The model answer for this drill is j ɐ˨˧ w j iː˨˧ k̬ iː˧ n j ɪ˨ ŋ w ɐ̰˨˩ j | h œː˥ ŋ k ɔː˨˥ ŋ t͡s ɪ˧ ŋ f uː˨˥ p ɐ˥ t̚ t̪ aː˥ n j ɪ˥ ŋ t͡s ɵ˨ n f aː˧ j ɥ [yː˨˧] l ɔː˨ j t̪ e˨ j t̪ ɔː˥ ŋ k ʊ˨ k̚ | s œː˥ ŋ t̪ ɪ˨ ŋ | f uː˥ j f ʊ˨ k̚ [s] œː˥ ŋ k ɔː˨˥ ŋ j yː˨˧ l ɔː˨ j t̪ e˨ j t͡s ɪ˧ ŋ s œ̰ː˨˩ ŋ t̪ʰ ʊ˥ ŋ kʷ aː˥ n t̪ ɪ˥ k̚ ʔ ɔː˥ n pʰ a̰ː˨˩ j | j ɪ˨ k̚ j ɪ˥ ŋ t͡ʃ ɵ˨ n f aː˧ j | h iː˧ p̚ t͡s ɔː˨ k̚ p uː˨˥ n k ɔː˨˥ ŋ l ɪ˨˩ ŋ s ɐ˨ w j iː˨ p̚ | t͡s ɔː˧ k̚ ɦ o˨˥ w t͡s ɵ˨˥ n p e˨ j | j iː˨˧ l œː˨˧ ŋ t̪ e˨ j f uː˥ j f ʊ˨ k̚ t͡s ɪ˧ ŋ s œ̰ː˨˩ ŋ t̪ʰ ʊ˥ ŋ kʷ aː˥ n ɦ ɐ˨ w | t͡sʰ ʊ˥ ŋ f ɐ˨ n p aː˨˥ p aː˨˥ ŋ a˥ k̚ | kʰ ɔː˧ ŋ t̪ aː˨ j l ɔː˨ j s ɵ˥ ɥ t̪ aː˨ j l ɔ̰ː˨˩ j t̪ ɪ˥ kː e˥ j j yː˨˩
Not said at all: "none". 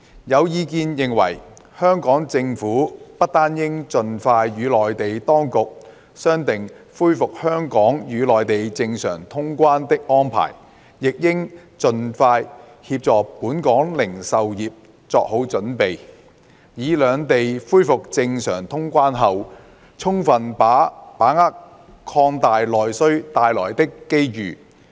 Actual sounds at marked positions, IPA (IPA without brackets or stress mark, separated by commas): yː˨˧, h